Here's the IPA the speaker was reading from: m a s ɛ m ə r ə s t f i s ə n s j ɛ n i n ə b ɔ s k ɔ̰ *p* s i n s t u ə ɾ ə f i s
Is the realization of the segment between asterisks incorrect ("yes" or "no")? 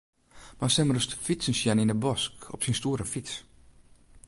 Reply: no